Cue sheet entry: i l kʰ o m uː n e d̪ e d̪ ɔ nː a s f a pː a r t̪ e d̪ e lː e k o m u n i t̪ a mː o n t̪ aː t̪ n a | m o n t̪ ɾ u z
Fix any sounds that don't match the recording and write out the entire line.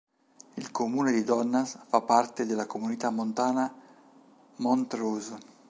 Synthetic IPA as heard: i l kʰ o m uː n e d̪ i d̪ ɔ nː a s f a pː a r t̪ e d̪ e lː a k o m u n i t̪ a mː o n t̪ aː n a | m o n t̪ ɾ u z